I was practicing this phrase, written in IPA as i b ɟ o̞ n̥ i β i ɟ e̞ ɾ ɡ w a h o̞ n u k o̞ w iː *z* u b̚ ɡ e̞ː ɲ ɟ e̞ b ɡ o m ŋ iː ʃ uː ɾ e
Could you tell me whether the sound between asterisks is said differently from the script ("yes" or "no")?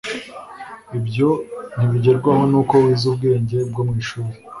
no